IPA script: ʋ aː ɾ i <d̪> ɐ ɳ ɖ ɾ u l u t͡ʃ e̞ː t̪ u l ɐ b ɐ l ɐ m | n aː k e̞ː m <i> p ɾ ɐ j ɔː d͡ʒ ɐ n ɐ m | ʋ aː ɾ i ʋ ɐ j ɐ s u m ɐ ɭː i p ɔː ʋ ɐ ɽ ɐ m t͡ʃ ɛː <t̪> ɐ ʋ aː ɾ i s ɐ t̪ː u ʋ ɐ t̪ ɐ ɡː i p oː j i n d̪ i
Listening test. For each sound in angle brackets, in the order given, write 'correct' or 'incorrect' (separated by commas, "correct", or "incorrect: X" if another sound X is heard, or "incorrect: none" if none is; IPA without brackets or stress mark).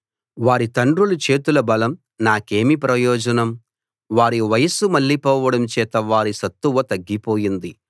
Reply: incorrect: t̪, correct, correct